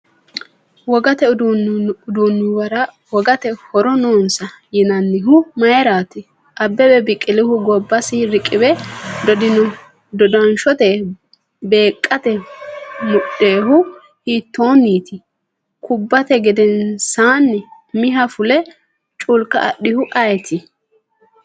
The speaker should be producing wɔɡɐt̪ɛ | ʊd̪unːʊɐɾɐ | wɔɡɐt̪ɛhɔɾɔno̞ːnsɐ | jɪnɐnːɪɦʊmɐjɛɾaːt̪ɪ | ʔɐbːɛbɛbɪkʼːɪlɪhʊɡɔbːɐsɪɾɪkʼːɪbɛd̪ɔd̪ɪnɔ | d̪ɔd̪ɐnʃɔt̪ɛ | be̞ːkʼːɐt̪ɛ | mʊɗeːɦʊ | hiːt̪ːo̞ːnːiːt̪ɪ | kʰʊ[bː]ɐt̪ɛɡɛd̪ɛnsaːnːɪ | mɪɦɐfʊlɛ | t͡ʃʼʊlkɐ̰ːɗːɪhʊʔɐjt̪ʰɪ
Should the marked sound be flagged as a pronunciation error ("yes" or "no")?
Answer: no